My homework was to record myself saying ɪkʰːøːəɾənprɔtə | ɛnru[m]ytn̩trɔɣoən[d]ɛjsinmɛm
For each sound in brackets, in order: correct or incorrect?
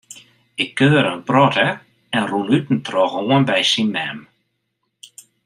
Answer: incorrect: n, incorrect: b

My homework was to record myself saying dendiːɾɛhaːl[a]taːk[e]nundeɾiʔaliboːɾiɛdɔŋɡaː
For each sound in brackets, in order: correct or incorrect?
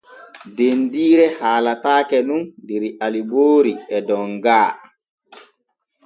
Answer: correct, incorrect: ɛ

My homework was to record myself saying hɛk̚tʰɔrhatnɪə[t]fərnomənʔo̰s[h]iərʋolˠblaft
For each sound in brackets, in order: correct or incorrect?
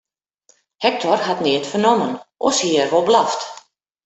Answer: correct, correct

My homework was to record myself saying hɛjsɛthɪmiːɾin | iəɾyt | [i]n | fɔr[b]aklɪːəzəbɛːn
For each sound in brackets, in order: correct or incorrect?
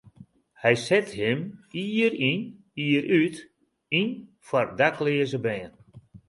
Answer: correct, incorrect: d

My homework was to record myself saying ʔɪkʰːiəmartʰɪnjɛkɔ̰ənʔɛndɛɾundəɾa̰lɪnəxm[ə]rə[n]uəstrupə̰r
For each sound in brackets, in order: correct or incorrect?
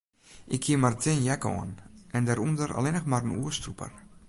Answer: incorrect: a, correct

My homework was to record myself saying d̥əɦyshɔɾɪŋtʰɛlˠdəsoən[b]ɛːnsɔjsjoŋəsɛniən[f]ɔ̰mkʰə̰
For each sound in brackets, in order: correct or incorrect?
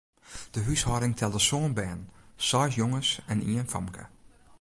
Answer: correct, correct

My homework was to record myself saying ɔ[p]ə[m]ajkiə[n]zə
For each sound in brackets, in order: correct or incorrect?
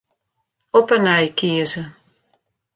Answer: correct, incorrect: n, incorrect: none

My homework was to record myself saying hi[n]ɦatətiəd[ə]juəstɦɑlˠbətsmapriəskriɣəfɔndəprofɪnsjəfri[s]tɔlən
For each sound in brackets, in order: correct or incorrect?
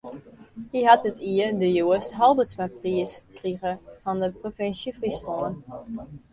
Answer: incorrect: none, correct, correct

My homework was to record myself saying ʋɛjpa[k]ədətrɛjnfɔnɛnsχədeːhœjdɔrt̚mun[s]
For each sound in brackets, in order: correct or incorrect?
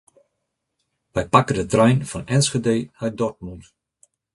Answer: correct, incorrect: t

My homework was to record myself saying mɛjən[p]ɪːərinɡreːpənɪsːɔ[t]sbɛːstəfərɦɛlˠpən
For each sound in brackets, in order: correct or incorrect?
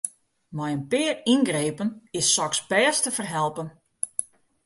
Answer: correct, incorrect: k

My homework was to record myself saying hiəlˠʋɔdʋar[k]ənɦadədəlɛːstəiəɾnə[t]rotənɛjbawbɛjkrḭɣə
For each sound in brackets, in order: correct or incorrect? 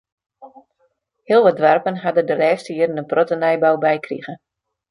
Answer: incorrect: p, incorrect: p

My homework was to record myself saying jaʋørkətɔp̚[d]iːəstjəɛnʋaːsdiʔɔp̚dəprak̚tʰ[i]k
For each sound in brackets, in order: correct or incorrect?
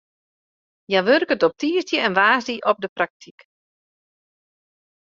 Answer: incorrect: t, correct

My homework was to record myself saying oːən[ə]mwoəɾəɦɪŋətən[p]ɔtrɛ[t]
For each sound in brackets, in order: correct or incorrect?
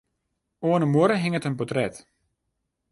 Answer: correct, correct, correct

